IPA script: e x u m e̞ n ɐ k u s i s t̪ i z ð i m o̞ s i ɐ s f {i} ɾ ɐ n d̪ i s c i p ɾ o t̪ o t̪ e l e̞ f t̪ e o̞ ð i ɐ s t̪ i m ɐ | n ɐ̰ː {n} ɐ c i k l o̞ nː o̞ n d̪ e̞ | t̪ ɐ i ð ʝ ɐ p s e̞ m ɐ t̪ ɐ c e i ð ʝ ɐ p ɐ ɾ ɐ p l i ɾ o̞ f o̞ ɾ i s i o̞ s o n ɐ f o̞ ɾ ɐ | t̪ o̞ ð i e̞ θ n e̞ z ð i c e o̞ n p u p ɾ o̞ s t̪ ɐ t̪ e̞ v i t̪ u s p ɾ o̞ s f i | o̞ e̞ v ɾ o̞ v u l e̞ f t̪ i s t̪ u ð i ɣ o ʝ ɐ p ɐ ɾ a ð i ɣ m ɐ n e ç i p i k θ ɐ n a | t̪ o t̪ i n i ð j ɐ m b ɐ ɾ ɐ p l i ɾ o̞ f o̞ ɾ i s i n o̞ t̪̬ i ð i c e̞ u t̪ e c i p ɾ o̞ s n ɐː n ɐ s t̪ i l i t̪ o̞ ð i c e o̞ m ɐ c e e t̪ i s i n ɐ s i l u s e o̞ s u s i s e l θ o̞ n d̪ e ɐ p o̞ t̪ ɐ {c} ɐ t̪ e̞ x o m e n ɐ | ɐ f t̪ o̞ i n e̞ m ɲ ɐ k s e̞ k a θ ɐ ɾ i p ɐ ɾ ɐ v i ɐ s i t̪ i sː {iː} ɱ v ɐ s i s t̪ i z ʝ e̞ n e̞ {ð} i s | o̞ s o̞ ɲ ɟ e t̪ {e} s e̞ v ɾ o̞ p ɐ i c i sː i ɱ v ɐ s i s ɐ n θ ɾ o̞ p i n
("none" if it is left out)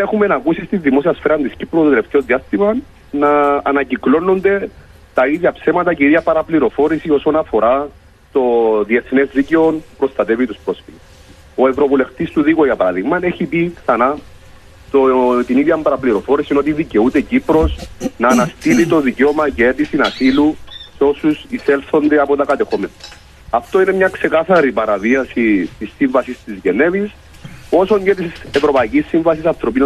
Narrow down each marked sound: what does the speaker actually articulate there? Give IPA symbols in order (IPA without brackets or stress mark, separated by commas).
e, n, k, i, v, i